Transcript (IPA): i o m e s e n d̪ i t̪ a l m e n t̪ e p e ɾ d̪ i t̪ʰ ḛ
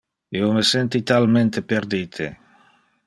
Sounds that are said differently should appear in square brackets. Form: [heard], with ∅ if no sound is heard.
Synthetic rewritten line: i o m e s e n [t̪] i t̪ a l m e n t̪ e p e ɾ d̪ i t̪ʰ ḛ